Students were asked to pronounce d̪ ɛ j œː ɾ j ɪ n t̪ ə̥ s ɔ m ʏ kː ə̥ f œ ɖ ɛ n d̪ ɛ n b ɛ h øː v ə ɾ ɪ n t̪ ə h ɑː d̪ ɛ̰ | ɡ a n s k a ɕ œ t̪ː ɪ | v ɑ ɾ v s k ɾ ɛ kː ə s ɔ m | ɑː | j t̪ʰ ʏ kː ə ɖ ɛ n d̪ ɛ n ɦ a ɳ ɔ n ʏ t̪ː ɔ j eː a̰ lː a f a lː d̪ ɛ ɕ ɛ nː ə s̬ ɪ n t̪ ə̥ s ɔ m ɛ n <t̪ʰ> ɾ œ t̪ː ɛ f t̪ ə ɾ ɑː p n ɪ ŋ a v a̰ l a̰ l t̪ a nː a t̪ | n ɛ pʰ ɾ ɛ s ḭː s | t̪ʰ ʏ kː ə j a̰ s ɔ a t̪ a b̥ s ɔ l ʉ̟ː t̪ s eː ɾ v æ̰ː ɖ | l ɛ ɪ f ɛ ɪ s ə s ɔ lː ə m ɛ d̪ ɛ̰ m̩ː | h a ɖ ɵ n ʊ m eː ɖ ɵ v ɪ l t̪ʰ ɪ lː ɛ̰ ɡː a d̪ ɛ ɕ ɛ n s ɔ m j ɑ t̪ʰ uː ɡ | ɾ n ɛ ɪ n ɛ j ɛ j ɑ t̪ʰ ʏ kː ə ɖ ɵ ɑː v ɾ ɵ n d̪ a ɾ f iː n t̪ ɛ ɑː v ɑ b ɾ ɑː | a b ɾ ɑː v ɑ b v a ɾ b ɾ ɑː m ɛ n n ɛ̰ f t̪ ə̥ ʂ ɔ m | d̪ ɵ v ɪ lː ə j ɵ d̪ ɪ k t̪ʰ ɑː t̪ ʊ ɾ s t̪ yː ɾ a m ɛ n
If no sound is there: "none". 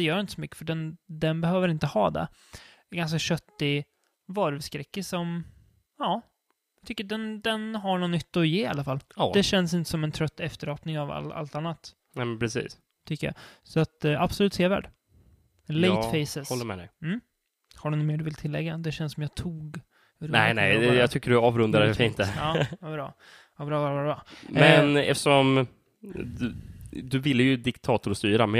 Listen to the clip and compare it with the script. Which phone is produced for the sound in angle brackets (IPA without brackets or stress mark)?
t̪ʰ